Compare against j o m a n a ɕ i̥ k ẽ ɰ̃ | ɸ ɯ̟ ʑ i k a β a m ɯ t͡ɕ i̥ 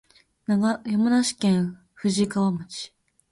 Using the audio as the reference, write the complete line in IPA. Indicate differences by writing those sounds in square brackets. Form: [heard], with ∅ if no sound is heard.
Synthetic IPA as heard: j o m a n a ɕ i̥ k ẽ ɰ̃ | ɸ ɯ̟ ʑ i k a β a m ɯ t͡ɕ i̥